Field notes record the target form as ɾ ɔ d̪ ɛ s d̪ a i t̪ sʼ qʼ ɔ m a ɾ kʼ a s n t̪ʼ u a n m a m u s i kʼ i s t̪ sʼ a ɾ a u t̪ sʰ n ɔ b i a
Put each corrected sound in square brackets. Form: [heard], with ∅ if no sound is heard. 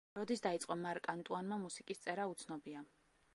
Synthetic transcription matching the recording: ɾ ɔ d̪ [i] s d̪ a i t̪ sʼ qʼ ɔ m a ɾ kʼ a [∅] n t̪ʼ u a n m a m u s i kʼ i s t̪ sʼ [ɛ] ɾ a u t̪ sʰ n ɔ b i a